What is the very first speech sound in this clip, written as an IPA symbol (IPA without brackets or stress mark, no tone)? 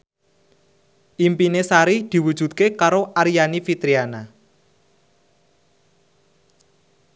ʔ